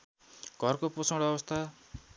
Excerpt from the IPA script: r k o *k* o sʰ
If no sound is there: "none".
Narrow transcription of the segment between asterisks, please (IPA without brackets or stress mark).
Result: p